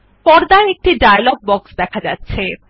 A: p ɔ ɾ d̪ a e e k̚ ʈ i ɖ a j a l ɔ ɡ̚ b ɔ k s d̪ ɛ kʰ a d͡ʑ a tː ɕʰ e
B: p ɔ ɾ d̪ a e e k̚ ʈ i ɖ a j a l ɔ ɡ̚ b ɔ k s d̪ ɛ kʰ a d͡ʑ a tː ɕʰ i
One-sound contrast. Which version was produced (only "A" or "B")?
A